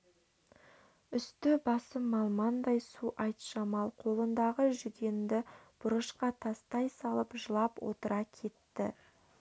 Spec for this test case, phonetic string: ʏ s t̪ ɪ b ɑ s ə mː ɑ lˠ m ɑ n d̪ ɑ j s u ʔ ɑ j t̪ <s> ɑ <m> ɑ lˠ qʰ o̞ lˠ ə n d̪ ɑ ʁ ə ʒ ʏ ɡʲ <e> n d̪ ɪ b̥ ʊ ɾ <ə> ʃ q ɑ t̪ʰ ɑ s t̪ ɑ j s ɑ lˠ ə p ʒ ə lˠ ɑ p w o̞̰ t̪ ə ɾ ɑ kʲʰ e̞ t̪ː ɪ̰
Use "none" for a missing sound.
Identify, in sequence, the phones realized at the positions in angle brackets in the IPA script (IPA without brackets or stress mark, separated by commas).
ʃ, m, e, ə